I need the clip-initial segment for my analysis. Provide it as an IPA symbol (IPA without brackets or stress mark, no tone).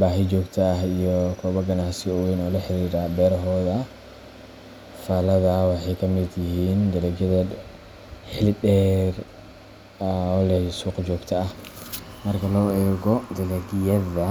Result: b